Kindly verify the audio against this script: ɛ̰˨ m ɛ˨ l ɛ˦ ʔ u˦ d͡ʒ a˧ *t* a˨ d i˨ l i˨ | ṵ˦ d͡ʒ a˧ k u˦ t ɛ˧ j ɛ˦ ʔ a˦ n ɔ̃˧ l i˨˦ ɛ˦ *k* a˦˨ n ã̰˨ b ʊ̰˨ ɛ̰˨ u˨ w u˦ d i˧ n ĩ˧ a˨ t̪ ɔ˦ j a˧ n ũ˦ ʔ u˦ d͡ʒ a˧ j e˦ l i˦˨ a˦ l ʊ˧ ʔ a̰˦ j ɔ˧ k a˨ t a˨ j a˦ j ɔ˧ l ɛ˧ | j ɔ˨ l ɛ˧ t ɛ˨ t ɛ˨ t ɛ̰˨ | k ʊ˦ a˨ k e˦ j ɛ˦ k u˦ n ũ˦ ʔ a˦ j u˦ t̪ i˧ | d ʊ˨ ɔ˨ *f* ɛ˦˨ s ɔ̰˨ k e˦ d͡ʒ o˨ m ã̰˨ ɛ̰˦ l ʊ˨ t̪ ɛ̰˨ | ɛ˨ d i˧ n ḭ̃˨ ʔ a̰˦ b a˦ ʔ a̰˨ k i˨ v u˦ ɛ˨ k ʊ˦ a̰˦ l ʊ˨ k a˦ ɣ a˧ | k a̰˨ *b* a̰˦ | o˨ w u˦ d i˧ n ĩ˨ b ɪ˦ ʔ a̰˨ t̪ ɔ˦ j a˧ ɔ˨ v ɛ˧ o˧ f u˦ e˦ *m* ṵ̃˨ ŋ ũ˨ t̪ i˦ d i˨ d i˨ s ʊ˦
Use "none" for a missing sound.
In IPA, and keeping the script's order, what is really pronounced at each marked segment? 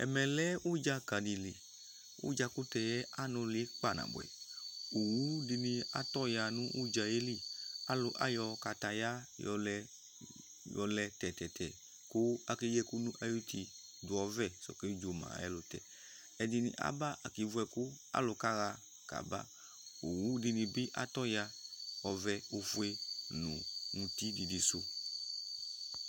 k, k͡p, v, b, n

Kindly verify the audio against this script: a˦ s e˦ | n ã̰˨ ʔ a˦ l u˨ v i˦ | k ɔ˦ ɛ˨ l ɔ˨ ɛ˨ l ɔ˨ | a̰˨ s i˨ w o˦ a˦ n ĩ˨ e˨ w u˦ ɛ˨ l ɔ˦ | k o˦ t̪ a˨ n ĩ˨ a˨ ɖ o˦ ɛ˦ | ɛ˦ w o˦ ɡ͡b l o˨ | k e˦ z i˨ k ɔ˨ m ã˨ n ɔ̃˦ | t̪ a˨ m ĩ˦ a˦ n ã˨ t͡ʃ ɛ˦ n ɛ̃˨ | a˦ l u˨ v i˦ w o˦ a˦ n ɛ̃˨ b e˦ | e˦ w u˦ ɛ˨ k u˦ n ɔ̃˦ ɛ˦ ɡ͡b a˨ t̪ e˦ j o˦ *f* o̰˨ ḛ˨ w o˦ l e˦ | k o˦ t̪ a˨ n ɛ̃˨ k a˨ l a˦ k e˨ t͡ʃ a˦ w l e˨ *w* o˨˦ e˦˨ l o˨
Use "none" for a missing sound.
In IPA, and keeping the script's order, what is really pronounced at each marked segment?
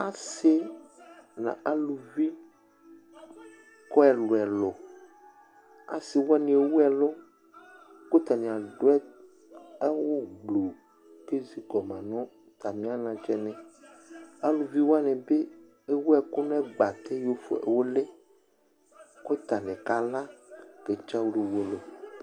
f, w

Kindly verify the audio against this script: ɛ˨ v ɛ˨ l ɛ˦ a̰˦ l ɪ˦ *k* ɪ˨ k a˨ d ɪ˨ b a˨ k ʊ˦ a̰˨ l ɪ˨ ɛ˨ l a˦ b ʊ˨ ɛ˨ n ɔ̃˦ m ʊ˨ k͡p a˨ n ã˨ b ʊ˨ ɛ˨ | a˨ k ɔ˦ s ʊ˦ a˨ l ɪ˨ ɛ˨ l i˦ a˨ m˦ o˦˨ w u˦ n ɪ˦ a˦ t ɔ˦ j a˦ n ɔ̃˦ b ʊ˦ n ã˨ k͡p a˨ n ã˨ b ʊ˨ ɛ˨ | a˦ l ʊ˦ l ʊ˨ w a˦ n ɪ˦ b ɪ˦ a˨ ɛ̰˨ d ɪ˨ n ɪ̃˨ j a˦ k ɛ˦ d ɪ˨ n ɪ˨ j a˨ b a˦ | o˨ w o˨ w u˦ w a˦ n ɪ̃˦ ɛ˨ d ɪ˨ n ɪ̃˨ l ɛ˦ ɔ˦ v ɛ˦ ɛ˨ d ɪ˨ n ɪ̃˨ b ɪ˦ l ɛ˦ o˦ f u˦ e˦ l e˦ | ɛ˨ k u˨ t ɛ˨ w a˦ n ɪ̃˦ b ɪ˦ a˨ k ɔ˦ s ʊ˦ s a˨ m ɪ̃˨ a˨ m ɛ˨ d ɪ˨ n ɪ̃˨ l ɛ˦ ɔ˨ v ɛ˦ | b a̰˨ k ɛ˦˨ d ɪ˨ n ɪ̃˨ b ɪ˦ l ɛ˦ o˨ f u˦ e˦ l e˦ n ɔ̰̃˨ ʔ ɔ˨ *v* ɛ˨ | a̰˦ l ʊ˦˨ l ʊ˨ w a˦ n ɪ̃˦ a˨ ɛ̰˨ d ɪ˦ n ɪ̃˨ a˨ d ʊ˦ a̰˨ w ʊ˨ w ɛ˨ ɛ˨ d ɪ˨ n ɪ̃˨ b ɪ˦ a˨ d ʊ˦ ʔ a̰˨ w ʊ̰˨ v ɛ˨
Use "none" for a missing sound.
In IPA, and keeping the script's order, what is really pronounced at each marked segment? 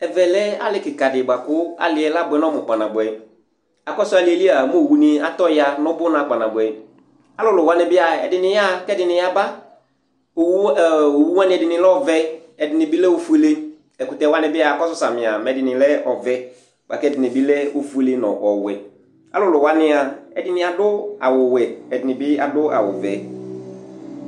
k, w

